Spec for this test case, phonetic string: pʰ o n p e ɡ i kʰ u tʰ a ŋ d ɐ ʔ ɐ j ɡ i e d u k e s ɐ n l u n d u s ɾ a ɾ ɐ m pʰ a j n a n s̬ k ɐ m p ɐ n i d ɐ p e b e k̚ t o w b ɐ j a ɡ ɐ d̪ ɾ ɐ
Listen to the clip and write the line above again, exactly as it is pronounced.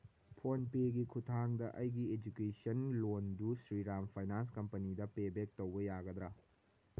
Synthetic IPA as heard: pʰ o n p e ɡ i kʰ u tʰ a ŋ d ɐ ʔ ɐ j ɡ i e d͡ʒ u k e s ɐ n l o n d u s ɾ i ɾ a m pʰ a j n a n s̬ k ɐ m p ɐ n i d ɐ p e b e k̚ t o w b ɐ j a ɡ ɐ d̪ ɾ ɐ